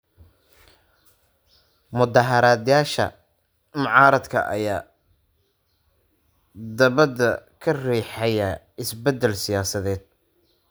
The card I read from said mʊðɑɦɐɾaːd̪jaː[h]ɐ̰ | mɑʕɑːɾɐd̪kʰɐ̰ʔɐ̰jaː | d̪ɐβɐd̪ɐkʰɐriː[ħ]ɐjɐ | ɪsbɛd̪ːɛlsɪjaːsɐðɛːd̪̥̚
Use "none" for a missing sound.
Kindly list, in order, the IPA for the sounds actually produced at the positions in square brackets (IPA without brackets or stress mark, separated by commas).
ʃ, ħ